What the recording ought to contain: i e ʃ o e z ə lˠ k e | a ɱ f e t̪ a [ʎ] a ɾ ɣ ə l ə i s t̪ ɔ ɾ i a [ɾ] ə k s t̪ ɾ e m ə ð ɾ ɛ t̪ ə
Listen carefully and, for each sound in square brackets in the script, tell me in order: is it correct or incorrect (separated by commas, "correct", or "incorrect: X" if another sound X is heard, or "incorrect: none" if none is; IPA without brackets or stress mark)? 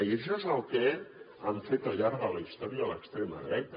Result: correct, incorrect: l